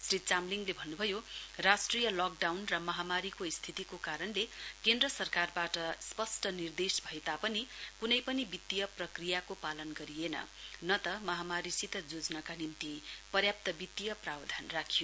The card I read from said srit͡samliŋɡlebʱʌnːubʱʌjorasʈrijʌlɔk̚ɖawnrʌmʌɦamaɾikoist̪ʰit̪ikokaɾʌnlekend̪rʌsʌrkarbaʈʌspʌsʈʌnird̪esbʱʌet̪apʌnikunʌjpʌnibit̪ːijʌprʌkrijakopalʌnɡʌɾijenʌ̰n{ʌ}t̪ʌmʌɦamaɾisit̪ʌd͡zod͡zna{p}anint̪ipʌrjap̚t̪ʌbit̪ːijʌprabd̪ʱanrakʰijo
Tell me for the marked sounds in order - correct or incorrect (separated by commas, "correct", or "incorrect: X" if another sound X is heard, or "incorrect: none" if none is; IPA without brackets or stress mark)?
correct, incorrect: k